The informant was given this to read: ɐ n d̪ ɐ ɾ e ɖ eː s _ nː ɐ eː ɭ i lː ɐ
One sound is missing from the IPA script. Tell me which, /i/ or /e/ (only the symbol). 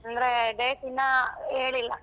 i